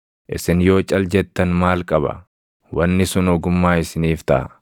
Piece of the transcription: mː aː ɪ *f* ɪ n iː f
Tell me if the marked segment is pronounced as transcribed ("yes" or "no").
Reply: no